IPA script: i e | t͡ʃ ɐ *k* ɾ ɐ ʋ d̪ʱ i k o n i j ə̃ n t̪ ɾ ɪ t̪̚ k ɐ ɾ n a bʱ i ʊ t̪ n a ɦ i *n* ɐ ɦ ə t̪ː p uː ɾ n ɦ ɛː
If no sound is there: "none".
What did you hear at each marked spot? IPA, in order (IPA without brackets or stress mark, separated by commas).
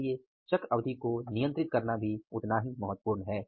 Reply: k, m